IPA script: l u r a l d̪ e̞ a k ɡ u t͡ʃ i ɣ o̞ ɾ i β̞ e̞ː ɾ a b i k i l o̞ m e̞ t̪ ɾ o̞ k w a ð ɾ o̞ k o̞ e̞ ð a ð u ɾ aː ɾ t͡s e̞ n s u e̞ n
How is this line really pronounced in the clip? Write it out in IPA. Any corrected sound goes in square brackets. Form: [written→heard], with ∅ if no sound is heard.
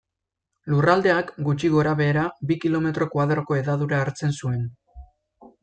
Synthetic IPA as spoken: l u r a l d̪ e̞ a k ɡ u t͡ʃ i ɣ o̞ ɾ [i→a] β̞ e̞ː ɾ a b i k i l o̞ m e̞ t̪ ɾ o̞ k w a ð ɾ o̞ k o̞ e̞ ð a ð u ɾ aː ɾ t͡s e̞ n s u e̞ n